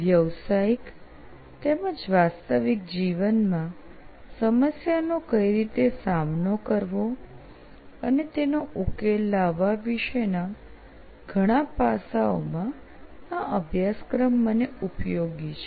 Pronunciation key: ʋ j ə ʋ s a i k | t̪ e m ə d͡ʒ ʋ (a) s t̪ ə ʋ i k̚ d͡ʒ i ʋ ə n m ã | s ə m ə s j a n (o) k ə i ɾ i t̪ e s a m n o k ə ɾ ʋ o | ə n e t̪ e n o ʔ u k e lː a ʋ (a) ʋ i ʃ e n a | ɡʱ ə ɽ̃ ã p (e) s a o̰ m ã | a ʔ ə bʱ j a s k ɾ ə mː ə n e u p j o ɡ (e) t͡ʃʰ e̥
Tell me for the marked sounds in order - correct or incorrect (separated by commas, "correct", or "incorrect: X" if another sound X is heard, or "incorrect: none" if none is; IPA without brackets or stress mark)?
correct, correct, correct, incorrect: a, incorrect: i